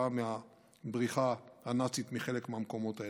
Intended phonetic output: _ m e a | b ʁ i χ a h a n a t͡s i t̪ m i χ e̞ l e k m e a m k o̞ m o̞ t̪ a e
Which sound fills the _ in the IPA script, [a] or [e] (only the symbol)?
a